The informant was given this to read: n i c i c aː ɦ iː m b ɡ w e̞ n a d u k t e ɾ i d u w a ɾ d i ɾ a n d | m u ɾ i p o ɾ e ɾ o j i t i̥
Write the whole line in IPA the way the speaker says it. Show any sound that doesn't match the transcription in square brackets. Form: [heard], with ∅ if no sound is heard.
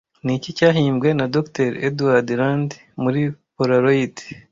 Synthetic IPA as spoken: n i c i c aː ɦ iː m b ɡ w e̞ n a d [o] k t e ɾ [e] d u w a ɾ d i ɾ a n d | m u ɾ i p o ɾ [a] ɾ o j i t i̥